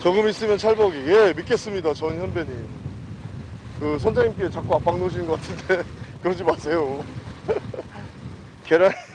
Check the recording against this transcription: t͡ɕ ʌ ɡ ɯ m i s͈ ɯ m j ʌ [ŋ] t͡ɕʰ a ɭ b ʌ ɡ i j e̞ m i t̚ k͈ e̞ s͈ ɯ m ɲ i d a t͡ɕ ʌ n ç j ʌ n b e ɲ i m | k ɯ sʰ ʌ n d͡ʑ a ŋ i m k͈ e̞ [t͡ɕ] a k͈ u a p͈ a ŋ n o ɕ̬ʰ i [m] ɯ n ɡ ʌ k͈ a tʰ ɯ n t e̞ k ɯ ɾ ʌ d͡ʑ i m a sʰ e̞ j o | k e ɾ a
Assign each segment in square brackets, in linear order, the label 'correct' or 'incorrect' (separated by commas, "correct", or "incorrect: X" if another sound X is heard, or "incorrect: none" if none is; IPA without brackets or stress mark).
incorrect: n, correct, incorrect: n